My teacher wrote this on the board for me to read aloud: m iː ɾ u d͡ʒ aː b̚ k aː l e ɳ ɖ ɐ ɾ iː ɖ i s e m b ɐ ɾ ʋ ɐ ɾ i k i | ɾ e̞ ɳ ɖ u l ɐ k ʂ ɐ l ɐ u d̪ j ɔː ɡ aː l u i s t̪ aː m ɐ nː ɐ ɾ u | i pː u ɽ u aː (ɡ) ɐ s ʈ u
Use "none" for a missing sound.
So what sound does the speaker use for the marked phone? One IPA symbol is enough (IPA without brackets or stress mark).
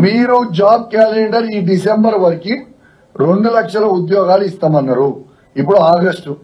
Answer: ɡ